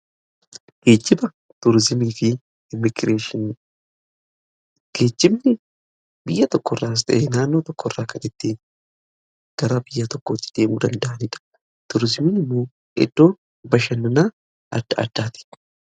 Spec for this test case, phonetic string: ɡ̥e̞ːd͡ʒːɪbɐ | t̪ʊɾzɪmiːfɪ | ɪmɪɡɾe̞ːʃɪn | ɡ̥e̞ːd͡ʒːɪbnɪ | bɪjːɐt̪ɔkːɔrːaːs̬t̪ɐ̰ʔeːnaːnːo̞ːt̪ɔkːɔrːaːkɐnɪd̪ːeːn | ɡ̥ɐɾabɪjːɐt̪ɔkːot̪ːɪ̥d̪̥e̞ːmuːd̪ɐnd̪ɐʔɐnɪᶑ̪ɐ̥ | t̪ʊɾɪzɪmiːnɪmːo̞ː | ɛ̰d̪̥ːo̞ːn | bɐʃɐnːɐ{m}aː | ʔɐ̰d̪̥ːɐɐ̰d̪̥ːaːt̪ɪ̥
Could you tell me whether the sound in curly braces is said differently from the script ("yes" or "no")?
yes